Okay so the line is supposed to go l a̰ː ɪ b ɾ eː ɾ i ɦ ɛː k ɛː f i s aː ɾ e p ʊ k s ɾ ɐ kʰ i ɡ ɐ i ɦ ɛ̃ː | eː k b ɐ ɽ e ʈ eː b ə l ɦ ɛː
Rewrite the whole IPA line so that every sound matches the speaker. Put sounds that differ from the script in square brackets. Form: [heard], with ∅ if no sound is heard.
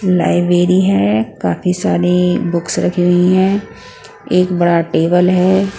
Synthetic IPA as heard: l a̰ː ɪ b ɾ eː ɾ i ɦ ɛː k [aː] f i s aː ɾ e [b] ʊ k s ɾ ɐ kʰ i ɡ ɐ i ɦ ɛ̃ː | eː k b ɐ ɽ [a] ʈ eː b ə l ɦ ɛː